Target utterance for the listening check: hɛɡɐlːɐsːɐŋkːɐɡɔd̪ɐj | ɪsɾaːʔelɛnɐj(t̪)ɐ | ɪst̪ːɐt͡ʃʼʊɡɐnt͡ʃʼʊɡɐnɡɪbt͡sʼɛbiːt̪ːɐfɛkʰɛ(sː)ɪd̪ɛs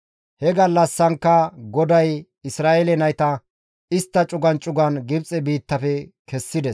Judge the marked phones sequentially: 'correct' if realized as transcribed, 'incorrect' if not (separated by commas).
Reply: correct, correct